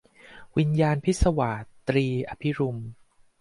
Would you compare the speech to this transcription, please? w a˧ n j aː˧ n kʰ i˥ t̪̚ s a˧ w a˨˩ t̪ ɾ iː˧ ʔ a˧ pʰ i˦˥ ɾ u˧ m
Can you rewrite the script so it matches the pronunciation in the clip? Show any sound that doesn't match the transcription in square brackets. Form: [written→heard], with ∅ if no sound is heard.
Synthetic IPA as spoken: w [a˧→i˧] n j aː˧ n [kʰ→pʰ] i˥ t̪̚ s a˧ w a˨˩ t̪ ɾ iː˧ ʔ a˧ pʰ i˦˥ ɾ u˧ m